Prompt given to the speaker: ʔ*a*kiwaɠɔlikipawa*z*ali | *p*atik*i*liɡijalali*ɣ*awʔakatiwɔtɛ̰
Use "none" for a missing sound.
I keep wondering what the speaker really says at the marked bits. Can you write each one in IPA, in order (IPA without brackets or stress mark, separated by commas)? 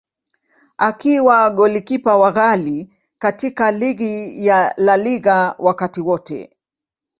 a, ɣ, k, a, ɣ